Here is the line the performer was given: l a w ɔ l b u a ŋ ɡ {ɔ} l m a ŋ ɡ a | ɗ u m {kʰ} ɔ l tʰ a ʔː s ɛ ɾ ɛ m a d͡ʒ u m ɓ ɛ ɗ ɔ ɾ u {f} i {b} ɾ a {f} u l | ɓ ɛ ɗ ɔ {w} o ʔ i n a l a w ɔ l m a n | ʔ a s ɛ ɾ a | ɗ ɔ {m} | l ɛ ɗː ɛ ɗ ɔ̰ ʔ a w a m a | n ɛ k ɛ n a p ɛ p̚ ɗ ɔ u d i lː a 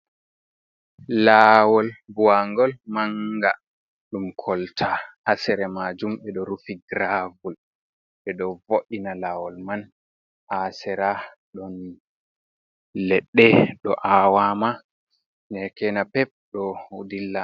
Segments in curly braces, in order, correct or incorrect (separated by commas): correct, correct, correct, incorrect, incorrect, incorrect, incorrect